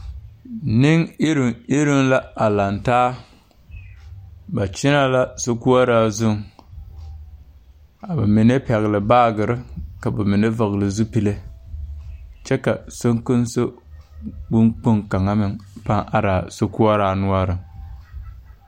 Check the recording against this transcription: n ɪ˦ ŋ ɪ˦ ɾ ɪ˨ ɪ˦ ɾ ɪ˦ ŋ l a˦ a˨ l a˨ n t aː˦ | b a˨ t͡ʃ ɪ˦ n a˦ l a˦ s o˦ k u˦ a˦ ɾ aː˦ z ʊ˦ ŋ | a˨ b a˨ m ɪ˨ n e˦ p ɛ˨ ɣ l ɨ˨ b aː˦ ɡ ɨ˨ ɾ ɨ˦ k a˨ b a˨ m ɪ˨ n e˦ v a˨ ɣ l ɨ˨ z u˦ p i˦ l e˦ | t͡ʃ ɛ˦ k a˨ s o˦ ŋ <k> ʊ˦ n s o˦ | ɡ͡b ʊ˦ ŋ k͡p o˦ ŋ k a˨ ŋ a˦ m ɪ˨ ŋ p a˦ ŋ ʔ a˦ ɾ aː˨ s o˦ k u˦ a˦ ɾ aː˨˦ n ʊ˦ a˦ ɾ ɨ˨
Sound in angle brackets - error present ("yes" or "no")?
no